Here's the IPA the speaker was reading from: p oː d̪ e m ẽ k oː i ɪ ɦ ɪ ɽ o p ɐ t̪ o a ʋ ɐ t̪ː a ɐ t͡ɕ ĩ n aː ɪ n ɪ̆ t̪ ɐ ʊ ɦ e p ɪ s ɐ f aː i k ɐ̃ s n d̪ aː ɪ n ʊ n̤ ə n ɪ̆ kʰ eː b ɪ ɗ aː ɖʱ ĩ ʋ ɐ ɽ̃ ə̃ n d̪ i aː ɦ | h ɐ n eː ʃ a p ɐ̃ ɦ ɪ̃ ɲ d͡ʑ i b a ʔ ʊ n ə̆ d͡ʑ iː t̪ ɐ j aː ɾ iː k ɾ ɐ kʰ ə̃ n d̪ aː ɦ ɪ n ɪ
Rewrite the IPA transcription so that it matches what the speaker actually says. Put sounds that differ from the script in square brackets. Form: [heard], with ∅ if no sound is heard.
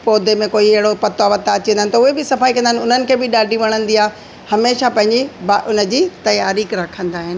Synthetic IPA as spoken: p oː d̪ e m ẽ k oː i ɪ ɦ ɪ ɽ o p ɐ t̪ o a ʋ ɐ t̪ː a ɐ t͡ɕ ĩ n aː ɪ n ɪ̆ t̪ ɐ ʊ ɦ e [b] ɪ s ɐ f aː i k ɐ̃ [∅] n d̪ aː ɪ n ʊ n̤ ə n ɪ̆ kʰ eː b ɪ ɗ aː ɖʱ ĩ ʋ ɐ ɽ̃ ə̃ n d̪ i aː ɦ | h ɐ [m] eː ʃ a p ɐ̃ ɦ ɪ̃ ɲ d͡ʑ i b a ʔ ʊ n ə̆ d͡ʑ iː t̪ ɐ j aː ɾ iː k ɾ ɐ kʰ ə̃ n d̪ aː ɦ ɪ n ɪ

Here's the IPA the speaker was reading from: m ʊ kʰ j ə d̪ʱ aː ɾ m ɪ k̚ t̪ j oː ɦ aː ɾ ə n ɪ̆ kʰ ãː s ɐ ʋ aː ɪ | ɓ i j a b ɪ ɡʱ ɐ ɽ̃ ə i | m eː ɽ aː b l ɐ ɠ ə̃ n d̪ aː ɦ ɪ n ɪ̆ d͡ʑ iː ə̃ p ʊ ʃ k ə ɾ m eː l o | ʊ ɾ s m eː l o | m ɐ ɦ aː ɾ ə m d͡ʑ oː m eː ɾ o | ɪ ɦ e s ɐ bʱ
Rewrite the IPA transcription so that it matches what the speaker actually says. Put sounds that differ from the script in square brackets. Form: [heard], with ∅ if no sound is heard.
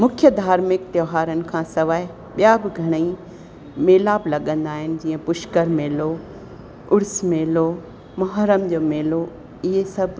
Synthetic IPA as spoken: m ʊ kʰ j ə d̪ʱ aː ɾ m ɪ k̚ t̪ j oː ɦ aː ɾ ə n ɪ̆ kʰ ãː s ɐ ʋ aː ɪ | ɓ i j a b ɪ ɡʱ ɐ ɽ̃ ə i | m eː [l] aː b l ɐ ɠ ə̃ n d̪ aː ɦ ɪ n ɪ̆ d͡ʑ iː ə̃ p ʊ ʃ k ə ɾ m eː l o | ʊ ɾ s m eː l o | m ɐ ɦ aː ɾ ə m d͡ʑ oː m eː [l] o | ɪ ɦ e s ɐ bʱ

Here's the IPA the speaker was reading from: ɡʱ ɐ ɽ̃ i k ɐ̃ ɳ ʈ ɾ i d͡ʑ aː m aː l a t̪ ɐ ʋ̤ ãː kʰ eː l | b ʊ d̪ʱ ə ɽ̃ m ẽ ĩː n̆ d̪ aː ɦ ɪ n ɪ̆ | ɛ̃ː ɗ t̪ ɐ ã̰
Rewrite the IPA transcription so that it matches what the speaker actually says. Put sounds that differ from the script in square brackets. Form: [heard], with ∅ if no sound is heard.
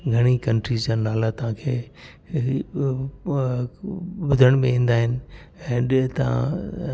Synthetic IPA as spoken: ɡʱ ɐ ɽ̃ i k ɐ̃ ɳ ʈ ɾ i d͡ʑ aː [n] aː l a t̪ ɐ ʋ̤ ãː kʰ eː [∅] | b ʊ d̪ʱ ə ɽ̃ m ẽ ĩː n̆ d̪ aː ɦ ɪ n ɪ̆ | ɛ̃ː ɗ t̪ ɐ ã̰

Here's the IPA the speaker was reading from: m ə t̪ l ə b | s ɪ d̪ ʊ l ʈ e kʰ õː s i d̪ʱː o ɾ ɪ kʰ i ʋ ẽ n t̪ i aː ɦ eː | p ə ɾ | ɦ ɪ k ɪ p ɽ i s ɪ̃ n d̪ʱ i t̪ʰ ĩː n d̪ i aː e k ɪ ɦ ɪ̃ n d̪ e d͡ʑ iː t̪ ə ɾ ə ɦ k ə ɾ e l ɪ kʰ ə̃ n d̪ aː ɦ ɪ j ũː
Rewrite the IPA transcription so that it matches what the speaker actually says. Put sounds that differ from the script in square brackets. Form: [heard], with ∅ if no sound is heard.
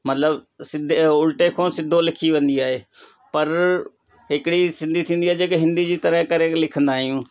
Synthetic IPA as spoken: m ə t̪ l ə b | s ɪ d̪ ʊ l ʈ e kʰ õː s [ɪ] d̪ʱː o [l] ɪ kʰ i ʋ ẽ n [d̪] i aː ɦ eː | p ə ɾ | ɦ ɪ k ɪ [∅] ɽ i s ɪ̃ n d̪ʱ i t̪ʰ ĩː n d̪ i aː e k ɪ ɦ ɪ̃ n d̪ [i] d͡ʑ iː t̪ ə ɾ ə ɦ k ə ɾ e l ɪ kʰ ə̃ n d̪ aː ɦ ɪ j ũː

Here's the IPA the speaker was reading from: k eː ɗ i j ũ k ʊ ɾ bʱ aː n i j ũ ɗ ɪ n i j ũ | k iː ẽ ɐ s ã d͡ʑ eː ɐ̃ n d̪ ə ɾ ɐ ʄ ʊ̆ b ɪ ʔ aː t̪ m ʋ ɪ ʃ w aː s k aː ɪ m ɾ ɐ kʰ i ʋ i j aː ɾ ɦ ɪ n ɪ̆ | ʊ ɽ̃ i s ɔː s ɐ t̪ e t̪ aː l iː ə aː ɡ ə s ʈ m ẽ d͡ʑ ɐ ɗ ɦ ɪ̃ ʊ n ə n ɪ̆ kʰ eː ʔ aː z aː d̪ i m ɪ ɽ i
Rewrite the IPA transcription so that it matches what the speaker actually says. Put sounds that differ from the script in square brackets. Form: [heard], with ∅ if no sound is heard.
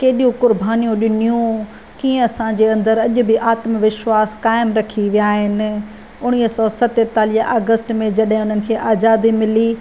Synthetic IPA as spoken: k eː ɗ i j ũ k ʊ ɾ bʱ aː n i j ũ ɗ ɪ n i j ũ | k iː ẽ ɐ s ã d͡ʑ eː ɐ̃ n d̪ ə ɾ ɐ ʄ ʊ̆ b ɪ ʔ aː t̪ m ʋ ɪ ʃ w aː s k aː ɪ m ɾ ɐ kʰ i ʋ i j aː [∅] ɦ ɪ n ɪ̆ | ʊ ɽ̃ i s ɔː s ɐ t̪ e t̪ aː l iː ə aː ɡ ə s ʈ m ẽ d͡ʑ ɐ ɗ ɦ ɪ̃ ʊ n ə n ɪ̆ kʰ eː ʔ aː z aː d̪ i m ɪ [l] i

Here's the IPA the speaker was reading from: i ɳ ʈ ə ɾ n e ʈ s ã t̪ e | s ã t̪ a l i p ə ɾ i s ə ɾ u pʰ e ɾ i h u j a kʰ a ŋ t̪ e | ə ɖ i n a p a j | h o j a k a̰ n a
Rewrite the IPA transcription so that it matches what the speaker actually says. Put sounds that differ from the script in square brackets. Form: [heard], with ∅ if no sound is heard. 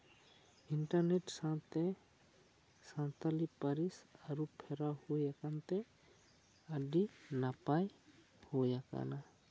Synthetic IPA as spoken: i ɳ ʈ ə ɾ n e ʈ s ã t̪ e | s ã t̪ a l i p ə ɾ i s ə ɾ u pʰ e ɾ [a] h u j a [k] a [n] t̪ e | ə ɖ i n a p a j | h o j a k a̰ n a

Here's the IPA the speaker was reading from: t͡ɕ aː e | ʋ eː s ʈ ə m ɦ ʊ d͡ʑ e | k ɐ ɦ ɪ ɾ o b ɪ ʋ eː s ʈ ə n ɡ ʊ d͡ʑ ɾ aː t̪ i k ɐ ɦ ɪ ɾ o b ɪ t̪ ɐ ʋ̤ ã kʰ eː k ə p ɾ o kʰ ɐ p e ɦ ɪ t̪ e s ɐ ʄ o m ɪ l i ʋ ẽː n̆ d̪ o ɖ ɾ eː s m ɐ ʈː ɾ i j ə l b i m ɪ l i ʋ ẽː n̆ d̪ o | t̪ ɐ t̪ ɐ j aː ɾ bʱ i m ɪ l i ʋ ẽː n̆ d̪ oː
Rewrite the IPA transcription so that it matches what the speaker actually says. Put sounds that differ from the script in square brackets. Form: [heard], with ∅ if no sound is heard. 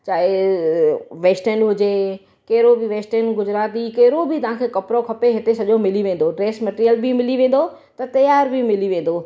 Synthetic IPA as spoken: t͡ɕ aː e | ʋ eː s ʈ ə [n] ɦ ʊ d͡ʑ e | k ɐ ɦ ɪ ɾ o b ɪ ʋ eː s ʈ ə n ɡ ʊ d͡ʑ ɾ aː t̪ i k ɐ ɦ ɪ ɾ o b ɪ t̪ ɐ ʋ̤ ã kʰ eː k [ɐ] p ɾ o kʰ ɐ p e ɦ ɪ t̪ e s ɐ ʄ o m ɪ l i ʋ ẽː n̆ d̪ o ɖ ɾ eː s m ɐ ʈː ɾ i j ə l b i m ɪ l i ʋ ẽː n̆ d̪ o | t̪ ɐ t̪ ɐ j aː ɾ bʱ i m ɪ l i ʋ ẽː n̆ d̪ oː

